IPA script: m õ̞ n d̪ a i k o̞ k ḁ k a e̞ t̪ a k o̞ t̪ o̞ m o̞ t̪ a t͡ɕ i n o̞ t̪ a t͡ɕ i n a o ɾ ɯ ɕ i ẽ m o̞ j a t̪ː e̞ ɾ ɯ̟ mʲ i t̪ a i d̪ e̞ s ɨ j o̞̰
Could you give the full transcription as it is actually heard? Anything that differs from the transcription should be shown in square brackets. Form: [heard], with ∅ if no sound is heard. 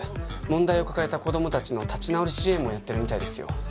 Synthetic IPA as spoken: m õ̞ n d̪ a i [∅] o̞ k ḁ k a e̞ t̪ a k o̞ [d̪] o̞ m o̞ t̪ a t͡ɕ i n o̞ t̪ a t͡ɕ i n a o ɾ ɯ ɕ i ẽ m o̞ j a t̪ː e̞ ɾ ɯ̟ mʲ i t̪ a i d̪ e̞ s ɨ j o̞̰